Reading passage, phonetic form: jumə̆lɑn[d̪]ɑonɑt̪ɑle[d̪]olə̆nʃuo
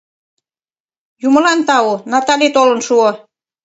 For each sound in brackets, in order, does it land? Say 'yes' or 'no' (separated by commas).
no, no